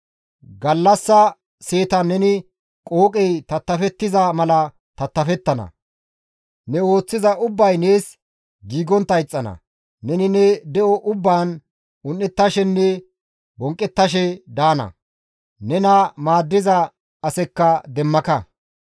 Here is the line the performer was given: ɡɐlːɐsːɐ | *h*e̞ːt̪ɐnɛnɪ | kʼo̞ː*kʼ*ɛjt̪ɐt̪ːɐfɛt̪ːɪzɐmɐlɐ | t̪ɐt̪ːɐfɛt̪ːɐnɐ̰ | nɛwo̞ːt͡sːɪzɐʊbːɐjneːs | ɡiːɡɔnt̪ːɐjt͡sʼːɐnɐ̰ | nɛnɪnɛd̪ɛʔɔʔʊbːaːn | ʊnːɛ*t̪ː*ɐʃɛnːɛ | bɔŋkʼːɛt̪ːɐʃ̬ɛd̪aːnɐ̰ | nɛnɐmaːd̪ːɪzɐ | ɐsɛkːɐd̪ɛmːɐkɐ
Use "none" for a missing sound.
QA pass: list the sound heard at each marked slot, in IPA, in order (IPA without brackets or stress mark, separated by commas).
s, kʼ, t̪ː